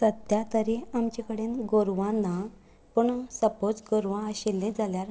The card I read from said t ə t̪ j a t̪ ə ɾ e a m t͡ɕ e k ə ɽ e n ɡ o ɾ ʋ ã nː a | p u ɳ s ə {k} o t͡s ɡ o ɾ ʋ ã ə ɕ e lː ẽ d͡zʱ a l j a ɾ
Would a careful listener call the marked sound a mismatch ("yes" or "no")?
yes